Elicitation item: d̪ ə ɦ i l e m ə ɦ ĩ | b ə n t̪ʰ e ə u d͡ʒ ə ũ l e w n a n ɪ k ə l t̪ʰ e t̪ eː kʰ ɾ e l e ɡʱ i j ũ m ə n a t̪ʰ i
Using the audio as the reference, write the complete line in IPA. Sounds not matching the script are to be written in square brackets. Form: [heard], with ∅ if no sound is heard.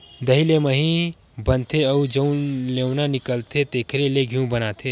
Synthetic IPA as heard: d̪ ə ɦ i l e m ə ɦ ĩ | b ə n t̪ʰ e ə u d͡ʒ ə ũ l e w n a n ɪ k ə l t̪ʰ e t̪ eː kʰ ɾ e l e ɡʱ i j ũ [b] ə n a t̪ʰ [e]